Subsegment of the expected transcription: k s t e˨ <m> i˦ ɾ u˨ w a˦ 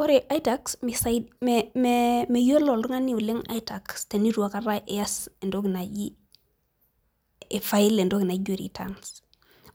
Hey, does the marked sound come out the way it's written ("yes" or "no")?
no